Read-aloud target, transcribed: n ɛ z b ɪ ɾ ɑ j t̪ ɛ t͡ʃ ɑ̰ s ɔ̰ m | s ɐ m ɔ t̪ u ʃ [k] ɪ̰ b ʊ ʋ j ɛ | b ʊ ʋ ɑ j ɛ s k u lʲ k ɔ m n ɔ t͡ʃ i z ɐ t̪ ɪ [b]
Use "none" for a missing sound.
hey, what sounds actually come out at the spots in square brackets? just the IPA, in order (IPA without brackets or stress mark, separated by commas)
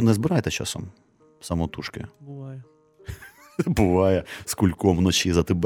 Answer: k, b